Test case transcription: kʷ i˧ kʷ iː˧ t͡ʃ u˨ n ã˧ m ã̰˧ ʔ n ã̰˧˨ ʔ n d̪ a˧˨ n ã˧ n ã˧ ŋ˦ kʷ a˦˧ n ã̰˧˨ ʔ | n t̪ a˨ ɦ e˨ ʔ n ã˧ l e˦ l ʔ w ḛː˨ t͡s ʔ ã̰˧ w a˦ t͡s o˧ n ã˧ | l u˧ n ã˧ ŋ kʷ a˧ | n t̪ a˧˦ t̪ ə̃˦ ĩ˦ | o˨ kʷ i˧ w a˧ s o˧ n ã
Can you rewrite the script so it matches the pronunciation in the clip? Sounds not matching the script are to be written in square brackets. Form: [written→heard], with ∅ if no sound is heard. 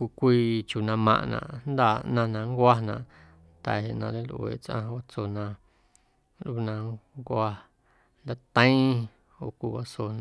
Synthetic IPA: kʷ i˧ kʷ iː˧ t͡ʃ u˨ n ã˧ m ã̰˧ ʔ n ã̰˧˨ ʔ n d̪ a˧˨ n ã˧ n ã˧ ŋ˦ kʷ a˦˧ n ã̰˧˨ ʔ | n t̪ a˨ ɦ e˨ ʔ n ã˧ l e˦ l ʔ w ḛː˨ t͡s ʔ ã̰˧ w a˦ t͡s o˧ n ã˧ | l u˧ n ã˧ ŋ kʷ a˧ | n [t̪→d̪] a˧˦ t̪ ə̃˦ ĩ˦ | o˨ kʷ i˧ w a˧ s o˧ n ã